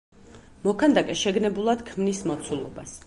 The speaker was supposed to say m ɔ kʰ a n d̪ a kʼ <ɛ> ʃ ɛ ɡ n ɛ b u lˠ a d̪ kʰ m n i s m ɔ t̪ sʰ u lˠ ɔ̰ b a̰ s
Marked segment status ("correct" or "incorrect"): correct